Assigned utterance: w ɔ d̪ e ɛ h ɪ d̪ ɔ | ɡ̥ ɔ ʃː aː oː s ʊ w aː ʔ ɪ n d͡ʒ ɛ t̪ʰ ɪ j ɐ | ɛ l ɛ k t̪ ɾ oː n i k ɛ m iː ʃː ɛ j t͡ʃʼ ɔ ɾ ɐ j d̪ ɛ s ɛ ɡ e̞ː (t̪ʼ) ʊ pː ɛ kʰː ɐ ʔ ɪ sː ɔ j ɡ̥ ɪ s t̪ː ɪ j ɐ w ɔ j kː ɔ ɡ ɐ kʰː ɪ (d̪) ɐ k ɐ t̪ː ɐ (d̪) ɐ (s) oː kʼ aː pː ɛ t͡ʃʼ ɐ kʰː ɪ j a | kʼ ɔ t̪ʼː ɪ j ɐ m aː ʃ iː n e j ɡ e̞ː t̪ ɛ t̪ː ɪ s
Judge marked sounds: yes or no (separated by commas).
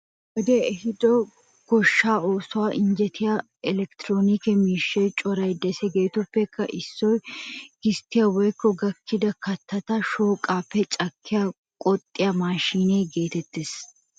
no, yes, no, no